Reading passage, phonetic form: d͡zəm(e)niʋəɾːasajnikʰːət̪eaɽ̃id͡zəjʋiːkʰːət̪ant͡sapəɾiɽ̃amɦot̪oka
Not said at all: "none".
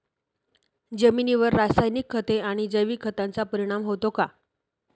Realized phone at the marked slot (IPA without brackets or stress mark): i